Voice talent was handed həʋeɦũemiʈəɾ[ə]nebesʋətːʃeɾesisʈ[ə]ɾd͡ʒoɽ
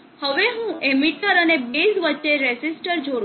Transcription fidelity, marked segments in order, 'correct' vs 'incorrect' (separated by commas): correct, correct